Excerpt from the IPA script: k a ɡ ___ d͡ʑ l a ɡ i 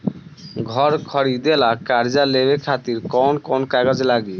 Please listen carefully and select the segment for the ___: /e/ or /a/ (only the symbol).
a